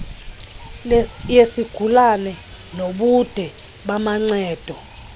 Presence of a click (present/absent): present